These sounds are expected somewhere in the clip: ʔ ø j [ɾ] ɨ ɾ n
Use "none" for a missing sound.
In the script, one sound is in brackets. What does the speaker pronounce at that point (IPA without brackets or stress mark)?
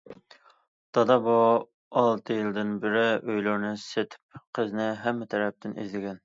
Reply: l